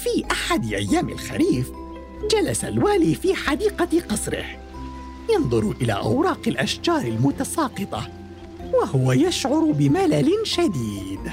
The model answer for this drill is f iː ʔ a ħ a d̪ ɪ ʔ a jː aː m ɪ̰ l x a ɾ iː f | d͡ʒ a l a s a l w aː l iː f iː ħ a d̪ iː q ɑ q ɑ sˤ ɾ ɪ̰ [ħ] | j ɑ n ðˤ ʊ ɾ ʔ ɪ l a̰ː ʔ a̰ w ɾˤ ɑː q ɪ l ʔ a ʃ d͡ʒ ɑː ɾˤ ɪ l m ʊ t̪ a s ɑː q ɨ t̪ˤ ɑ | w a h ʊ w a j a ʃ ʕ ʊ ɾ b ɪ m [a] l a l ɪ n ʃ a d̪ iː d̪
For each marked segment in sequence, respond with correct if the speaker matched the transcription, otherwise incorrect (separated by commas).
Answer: incorrect, correct